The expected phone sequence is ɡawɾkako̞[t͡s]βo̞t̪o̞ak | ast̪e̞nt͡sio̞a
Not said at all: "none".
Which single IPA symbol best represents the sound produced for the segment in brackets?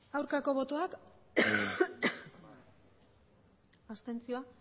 none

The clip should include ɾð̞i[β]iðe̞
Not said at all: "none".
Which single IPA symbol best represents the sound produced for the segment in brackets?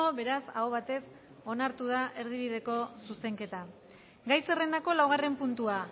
β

